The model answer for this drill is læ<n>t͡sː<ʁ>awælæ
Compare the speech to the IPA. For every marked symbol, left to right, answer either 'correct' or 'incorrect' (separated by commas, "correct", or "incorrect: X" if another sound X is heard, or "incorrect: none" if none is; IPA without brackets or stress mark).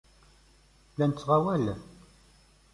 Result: correct, correct